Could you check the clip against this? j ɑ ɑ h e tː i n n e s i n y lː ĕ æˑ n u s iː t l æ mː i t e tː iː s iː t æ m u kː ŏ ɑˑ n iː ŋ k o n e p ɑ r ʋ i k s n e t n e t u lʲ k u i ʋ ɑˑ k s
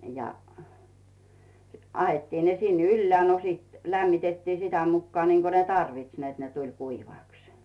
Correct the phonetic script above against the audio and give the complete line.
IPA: j ɑ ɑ h e tː iː n n e s i n y lː ĕ æˑ n o s iː t l æ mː i t e tː iː s i t æ m u kː ŏ ɑˑ n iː ŋ k o n e t ɑ r ʋ i t s n e t n e t u lʲ k u i ʋ ɑˑ k s